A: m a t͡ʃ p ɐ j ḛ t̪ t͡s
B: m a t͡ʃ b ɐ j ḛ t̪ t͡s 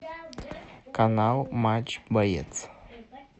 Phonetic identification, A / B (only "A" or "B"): B